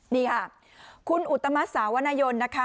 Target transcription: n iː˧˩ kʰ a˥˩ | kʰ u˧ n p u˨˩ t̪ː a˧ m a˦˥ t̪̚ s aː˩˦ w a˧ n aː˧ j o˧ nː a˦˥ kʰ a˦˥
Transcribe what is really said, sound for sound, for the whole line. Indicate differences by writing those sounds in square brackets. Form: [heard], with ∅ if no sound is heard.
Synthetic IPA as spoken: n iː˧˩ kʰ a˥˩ | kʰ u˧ n [ʔ] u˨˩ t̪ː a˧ m a˦˥ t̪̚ s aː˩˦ w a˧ n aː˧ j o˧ nː a˦˥ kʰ a˦˥